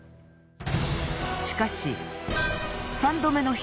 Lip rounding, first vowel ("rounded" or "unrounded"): unrounded